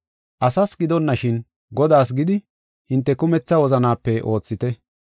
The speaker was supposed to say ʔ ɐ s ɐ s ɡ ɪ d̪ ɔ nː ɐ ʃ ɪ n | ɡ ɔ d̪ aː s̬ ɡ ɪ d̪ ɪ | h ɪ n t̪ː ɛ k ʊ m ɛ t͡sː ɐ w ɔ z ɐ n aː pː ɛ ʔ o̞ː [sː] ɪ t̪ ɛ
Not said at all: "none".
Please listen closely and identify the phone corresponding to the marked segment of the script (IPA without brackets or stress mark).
t͡sː